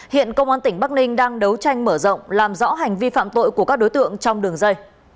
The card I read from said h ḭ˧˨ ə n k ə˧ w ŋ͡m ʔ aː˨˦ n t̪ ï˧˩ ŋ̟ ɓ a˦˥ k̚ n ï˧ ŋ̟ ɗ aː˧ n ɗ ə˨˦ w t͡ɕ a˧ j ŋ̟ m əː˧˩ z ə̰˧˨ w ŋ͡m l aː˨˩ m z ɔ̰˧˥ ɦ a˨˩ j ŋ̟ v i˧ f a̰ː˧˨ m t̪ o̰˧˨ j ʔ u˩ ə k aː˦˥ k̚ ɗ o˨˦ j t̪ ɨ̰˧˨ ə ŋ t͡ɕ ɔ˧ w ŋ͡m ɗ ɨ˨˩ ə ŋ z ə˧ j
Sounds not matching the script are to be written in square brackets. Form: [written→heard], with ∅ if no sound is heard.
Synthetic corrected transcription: h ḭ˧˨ ə n k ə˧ w ŋ͡m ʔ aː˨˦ n t̪ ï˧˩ ŋ̟ ɓ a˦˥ k̚ n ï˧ ŋ̟ ɗ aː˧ [n→ŋ] ɗ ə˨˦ w t͡ɕ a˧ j ŋ̟ m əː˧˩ z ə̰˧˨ w ŋ͡m l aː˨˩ m z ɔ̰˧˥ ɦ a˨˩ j ŋ̟ v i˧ f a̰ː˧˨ m t̪ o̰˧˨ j [ʔ→k] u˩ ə k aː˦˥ k̚ ɗ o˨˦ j t̪ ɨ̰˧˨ ə ŋ t͡ɕ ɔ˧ w ŋ͡m ɗ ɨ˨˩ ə ŋ z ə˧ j